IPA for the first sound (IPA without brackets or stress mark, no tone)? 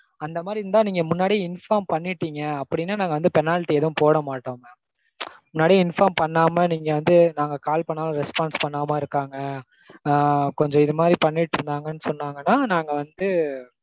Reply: ɐ